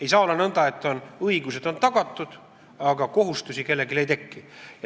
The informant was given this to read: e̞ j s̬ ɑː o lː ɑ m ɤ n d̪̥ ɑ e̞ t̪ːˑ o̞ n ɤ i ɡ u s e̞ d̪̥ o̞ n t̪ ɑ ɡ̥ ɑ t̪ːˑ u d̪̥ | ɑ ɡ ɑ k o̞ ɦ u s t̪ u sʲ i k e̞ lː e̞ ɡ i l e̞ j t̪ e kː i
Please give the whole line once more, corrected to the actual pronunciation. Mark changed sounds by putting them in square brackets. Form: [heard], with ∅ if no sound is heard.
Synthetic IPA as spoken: e̞ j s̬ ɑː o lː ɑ [n] ɤ n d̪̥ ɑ e̞ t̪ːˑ o̞ n ɤ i ɡ u s e̞ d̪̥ o̞ n t̪ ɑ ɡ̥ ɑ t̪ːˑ u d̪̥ | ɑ ɡ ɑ k o̞ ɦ u s t̪ u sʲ i k e̞ lː e̞ ɡ i l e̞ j t̪ e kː i

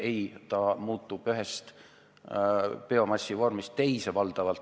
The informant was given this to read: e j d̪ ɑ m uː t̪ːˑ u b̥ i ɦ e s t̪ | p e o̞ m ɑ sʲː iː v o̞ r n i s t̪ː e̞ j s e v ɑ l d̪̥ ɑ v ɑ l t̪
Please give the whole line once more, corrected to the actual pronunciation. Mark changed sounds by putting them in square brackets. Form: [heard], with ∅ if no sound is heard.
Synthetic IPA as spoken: e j [t̪] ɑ m uː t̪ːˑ u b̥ [y] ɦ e s t̪ | p e o̞ m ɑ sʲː [i] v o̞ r [m] i s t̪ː e̞ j s e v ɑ l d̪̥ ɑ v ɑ l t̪

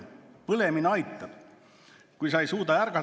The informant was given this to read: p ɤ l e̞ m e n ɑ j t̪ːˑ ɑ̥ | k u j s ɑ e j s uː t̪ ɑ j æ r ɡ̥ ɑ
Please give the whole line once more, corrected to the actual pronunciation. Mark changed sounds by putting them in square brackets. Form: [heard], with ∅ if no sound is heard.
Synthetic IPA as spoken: p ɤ l e̞ m [i] n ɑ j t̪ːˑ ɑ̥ | k u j s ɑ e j s uː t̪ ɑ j æ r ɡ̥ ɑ

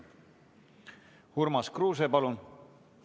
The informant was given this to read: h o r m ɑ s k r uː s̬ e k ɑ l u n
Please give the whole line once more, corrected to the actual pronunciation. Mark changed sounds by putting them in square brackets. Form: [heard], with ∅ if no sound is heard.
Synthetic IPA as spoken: h [u] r m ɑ s k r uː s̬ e [p] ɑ l u n

